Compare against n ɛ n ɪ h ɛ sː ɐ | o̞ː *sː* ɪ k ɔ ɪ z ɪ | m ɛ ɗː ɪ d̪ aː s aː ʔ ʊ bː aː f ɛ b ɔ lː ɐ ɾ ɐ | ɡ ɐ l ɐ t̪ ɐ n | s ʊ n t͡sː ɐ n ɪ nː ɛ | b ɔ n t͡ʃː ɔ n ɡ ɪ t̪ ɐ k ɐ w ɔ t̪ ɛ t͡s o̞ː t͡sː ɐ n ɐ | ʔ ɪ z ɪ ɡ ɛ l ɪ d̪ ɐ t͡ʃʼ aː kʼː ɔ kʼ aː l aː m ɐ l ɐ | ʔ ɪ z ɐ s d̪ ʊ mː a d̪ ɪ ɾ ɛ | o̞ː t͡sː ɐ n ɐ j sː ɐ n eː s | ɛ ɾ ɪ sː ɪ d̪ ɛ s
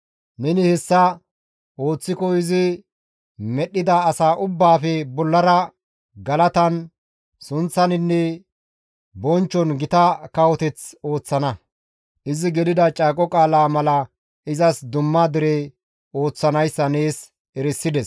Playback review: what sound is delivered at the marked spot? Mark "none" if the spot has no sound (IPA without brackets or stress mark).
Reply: t͡sː